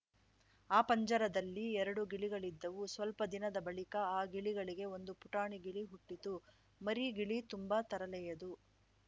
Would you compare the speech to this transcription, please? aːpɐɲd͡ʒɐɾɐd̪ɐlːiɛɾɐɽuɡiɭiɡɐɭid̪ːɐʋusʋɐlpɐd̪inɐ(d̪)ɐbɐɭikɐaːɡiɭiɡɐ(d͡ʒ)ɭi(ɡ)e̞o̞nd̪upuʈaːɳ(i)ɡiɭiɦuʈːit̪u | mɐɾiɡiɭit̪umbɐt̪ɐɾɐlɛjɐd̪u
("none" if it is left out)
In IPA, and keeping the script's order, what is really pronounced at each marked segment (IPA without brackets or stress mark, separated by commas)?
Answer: d̪, none, ɡ, i